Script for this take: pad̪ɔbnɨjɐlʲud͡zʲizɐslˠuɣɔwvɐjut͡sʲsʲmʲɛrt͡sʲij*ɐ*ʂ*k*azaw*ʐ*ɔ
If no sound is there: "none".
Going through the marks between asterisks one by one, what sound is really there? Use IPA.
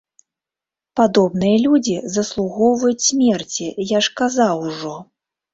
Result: a, k, ʐ

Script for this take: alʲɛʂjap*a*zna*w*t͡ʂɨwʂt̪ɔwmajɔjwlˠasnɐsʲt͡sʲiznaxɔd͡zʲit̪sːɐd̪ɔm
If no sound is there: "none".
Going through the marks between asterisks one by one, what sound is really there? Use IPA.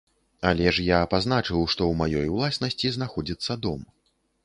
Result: a, none

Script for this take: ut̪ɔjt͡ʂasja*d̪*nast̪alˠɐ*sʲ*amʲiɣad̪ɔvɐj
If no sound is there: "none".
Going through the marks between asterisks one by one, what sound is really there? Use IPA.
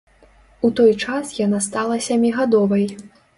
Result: none, sʲ

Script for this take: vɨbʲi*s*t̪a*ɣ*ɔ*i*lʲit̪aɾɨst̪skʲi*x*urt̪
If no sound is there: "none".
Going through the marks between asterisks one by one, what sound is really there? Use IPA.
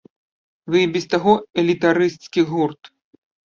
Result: s, ɣ, ɛ, ɣ

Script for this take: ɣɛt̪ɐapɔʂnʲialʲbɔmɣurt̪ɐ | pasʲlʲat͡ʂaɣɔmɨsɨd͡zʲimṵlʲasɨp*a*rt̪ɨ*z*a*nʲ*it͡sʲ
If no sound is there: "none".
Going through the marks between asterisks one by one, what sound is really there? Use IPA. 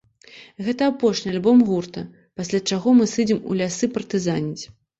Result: ɐ, z, nʲ

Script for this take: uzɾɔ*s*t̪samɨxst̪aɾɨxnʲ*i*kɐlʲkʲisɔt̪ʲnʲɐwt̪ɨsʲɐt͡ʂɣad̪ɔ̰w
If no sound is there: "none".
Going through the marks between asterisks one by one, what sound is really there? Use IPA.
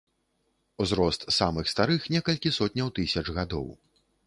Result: s, ɛ

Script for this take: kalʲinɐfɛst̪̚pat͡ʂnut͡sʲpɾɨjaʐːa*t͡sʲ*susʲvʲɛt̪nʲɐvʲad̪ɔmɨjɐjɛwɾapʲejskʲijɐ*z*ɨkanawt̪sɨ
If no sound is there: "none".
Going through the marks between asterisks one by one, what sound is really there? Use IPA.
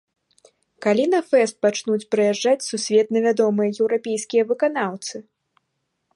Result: t͡sʲ, v

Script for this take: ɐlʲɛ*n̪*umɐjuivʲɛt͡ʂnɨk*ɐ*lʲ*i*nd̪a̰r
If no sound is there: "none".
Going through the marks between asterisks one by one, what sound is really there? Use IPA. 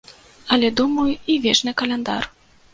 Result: d̪, ɐ, ɛ

